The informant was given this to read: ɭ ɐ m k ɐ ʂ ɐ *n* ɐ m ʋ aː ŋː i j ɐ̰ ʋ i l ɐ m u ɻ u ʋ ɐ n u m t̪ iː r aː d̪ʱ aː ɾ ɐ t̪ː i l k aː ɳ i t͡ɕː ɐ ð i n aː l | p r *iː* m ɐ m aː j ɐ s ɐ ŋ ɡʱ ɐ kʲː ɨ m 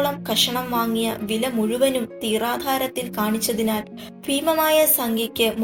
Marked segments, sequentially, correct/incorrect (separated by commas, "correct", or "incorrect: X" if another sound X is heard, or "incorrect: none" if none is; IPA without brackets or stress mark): incorrect: ɳ, correct